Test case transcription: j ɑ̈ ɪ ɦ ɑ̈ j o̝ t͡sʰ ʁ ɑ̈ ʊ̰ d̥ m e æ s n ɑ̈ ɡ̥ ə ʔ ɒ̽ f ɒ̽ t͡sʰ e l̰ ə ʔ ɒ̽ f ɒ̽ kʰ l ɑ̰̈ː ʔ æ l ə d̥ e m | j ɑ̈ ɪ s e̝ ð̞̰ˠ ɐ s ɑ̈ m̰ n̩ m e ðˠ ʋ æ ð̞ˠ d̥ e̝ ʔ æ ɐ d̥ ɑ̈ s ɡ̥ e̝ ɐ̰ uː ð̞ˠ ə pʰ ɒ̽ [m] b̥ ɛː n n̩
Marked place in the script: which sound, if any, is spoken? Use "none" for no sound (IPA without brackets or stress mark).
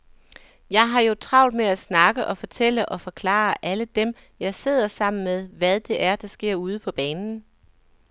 none